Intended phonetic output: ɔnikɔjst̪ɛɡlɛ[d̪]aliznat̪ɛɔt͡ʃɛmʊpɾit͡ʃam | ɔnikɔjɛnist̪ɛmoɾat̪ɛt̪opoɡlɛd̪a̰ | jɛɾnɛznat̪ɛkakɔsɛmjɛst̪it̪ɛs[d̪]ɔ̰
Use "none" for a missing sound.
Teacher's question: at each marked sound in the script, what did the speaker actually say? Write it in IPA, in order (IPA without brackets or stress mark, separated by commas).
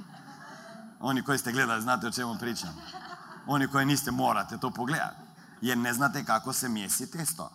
d̪, t̪